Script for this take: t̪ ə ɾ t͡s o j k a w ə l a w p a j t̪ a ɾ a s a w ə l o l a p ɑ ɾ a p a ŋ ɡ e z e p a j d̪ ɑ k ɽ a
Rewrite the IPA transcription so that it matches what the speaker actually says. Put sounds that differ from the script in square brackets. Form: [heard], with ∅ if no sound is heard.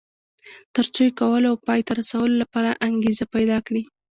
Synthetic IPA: t̪ ə ɾ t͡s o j k a w ə l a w p [ɑ] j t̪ a ɾ a s a w ə l o l a p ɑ ɾ a [ʔ] a ŋ ɡ e z [a] p a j d̪ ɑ k ɽ [i]